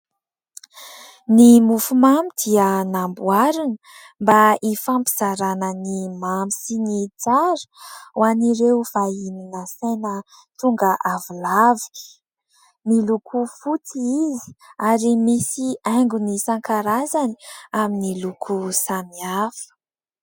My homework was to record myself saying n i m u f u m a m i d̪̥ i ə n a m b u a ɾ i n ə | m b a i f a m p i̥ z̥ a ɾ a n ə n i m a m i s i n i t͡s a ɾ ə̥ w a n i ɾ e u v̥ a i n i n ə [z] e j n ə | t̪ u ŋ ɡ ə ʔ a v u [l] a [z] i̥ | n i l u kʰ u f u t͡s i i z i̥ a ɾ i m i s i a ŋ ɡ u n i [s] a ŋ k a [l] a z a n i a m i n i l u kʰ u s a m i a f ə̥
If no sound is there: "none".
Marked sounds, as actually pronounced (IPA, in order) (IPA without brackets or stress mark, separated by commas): s, l, v, s, ɾ